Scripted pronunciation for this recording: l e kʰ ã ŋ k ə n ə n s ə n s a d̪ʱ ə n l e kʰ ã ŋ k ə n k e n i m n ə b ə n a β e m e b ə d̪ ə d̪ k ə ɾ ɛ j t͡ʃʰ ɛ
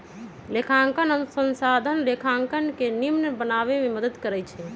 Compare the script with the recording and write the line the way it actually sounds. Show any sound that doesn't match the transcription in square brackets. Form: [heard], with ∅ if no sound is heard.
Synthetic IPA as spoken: l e kʰ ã ŋ k ə n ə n s ə n s a d̪ʱ ə n l e kʰ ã ŋ k ə n k e n i m n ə b ə n a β e m e [m] ə d̪ ə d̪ k ə ɾ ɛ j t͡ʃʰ ɛ

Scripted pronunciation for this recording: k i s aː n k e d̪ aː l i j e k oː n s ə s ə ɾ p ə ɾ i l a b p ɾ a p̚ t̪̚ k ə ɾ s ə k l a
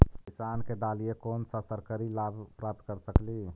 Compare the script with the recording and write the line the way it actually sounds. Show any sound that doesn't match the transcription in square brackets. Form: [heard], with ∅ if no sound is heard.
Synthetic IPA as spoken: k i s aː n k e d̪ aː l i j e k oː n s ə s ə ɾ [k] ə ɾ i l a b p ɾ a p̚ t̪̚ k ə ɾ s ə k l [i]

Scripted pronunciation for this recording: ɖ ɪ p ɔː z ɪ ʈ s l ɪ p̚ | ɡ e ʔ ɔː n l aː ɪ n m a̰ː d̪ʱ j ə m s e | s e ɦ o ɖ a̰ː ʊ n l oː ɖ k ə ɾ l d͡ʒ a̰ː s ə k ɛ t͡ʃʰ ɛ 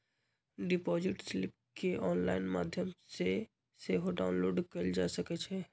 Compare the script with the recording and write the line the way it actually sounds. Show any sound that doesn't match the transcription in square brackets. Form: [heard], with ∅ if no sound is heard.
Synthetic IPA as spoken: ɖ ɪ p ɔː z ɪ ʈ s l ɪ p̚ | [k] e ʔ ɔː n l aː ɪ n m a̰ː d̪ʱ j ə m s e | s e ɦ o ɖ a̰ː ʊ n l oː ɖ k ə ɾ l d͡ʒ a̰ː s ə k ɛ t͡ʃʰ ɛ

